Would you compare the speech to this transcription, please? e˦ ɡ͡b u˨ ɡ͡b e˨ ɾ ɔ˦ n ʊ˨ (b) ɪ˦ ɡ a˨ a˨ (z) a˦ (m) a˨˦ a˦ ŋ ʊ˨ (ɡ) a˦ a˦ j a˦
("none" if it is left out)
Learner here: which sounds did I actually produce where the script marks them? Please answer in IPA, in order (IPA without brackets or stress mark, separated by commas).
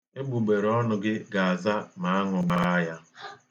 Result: ɡ, z, m, ɡ͡b